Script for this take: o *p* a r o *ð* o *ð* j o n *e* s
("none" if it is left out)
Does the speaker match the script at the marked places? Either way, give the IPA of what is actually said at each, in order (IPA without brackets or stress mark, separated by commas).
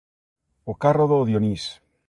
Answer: k, ð, ð, i